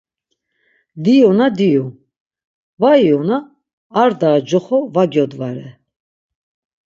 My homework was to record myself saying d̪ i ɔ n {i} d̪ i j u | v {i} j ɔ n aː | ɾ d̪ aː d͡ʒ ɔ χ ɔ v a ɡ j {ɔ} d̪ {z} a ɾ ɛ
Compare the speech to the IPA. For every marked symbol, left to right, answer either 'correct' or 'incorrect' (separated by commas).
incorrect, incorrect, correct, incorrect